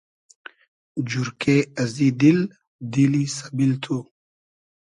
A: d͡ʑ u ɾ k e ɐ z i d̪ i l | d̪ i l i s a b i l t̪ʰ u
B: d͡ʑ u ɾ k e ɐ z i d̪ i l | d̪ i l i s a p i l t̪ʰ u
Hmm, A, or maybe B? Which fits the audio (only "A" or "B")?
A